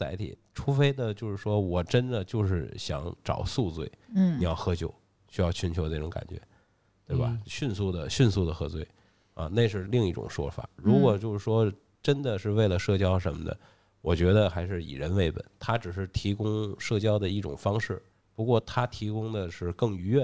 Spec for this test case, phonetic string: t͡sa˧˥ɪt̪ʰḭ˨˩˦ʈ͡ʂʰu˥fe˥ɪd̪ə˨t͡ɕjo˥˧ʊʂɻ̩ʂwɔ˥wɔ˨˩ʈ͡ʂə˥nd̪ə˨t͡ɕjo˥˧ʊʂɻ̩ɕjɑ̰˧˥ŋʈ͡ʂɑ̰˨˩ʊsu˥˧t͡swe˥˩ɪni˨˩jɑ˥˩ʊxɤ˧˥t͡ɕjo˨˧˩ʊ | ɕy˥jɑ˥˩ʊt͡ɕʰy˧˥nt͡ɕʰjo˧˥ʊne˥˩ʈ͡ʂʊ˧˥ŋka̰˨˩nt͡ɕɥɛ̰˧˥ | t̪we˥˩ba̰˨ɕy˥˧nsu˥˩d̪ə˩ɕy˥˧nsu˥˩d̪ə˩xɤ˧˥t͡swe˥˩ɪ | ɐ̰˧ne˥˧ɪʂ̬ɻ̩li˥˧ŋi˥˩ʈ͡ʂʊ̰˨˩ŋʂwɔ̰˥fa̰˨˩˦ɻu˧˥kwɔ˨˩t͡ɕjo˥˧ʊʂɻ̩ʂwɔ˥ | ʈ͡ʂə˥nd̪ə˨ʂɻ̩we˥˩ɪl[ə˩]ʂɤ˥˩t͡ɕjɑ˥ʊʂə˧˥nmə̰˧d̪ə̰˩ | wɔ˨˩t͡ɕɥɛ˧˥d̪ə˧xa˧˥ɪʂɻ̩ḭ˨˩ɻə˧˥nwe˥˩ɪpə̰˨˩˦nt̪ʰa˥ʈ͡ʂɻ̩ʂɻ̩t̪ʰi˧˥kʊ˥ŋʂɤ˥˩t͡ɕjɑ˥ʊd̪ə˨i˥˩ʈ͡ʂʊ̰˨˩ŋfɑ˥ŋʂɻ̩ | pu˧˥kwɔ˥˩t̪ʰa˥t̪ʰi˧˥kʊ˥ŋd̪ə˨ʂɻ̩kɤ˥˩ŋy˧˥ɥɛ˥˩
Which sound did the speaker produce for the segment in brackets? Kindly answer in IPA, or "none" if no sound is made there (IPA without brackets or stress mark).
ə˩